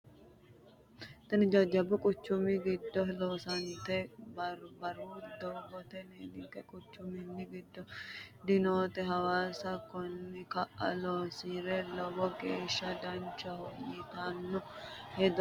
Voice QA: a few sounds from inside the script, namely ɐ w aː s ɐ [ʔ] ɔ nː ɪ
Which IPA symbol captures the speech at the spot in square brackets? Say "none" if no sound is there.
k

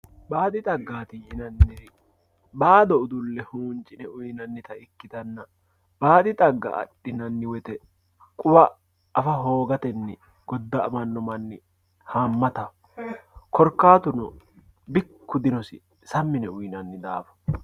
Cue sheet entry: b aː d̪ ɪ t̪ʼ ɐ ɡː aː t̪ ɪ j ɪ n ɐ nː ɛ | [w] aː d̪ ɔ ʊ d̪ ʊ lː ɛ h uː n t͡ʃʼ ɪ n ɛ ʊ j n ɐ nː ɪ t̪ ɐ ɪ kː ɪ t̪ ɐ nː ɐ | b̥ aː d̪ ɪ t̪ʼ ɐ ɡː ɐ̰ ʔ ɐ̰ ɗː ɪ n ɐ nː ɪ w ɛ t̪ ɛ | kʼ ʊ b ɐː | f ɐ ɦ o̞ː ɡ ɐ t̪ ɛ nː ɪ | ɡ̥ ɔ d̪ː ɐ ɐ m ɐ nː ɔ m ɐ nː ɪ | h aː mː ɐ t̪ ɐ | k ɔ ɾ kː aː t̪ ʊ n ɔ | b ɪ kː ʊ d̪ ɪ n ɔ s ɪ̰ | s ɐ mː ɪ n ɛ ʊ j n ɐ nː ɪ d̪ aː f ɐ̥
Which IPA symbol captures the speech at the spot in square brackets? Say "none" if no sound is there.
b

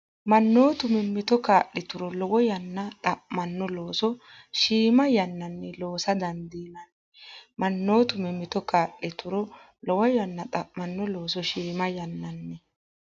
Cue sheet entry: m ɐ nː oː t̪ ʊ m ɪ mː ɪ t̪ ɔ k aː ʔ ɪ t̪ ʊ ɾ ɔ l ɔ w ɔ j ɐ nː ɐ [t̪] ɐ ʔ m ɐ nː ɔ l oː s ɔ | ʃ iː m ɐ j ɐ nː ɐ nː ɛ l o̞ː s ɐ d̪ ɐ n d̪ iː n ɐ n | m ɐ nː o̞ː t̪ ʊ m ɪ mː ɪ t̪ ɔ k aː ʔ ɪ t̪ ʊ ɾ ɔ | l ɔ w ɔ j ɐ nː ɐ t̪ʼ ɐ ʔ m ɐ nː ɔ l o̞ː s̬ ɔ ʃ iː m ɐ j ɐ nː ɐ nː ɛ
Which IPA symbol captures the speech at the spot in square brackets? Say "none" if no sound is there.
t̪ʼ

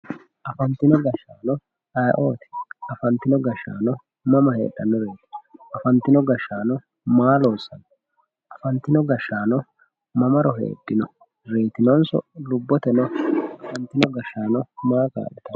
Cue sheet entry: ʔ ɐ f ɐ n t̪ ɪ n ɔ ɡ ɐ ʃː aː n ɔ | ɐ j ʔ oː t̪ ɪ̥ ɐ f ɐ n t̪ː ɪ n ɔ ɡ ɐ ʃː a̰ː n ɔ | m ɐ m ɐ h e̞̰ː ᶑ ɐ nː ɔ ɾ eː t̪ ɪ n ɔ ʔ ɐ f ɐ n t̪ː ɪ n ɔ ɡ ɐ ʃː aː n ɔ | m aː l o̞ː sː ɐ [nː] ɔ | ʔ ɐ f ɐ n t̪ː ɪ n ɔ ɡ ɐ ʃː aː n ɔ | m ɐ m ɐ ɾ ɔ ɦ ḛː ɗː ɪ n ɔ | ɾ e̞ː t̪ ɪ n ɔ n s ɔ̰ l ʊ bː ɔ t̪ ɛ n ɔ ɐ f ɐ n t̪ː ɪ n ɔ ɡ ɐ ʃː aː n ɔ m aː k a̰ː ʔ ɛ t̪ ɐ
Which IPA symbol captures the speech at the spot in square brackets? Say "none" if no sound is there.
n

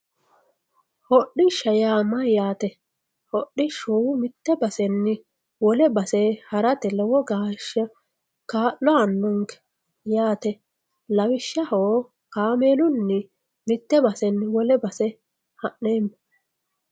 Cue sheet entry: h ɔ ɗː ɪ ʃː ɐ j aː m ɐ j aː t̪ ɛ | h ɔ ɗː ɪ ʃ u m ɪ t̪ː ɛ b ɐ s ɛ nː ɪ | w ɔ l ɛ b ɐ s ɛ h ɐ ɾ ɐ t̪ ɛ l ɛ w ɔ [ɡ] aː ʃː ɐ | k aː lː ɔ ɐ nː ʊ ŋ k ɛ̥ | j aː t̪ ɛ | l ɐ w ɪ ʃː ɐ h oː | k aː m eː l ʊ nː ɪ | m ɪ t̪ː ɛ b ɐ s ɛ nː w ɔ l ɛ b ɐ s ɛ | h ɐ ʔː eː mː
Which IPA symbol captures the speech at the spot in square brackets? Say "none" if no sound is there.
ɡ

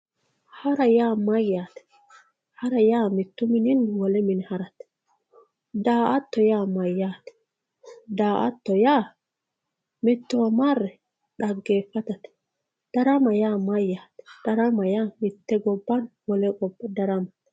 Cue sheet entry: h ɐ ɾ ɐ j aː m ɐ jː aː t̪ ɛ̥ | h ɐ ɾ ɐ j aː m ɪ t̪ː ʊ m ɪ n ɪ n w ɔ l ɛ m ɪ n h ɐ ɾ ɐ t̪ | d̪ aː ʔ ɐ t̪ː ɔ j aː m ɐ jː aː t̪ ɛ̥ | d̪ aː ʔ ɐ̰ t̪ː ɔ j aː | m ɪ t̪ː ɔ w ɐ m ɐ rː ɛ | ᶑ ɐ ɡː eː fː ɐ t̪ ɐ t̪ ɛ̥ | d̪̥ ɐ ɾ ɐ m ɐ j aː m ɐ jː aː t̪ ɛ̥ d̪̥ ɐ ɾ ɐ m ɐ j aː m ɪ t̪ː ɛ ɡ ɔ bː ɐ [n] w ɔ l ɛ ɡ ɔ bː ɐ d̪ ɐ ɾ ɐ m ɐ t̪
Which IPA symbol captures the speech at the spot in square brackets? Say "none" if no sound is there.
n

